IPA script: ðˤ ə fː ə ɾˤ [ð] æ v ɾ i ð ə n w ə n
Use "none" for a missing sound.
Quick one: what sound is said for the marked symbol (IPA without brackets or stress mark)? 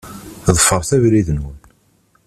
θ